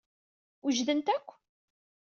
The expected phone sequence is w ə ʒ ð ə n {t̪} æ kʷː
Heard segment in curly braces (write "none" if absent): t̪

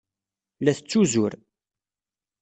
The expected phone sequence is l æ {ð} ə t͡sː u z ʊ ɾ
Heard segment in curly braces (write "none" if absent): θ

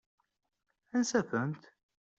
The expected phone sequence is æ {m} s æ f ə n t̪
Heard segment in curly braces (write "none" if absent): n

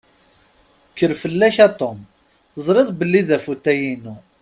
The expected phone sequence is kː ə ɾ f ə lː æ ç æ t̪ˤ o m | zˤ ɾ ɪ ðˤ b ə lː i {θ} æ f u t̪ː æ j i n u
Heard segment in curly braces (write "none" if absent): ð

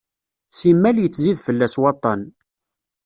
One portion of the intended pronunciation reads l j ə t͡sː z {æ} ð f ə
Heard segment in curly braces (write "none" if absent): i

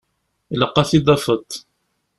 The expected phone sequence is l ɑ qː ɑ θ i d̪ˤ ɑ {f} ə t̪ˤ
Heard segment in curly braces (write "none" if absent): f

